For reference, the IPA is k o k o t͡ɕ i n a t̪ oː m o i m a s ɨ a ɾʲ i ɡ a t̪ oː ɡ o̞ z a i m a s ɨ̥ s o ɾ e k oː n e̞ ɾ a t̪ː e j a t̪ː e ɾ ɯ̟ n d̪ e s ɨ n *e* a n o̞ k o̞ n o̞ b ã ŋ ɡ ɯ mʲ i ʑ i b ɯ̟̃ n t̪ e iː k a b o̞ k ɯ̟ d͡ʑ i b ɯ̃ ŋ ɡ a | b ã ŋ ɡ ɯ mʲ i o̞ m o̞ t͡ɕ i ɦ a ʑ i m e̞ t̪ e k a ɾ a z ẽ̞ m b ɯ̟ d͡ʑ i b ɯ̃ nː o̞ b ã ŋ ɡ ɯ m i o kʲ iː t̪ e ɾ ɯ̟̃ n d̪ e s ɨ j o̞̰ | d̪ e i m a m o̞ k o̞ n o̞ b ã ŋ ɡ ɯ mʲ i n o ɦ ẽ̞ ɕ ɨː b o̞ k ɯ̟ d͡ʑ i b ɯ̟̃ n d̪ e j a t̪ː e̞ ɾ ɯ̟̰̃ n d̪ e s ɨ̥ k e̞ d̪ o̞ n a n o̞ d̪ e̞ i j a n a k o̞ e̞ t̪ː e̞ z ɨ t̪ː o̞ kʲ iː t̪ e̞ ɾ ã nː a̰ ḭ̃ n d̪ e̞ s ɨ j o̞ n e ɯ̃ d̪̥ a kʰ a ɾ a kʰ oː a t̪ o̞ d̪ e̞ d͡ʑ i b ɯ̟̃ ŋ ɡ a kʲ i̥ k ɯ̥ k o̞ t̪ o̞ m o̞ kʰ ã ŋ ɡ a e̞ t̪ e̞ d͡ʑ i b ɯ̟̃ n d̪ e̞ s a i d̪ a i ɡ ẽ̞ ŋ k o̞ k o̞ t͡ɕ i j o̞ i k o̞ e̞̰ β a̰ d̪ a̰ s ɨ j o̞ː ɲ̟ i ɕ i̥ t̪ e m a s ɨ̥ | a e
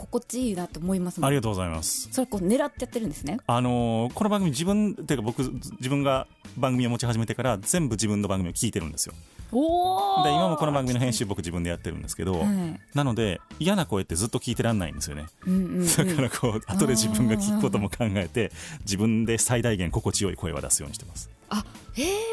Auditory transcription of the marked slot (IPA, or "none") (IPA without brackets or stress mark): e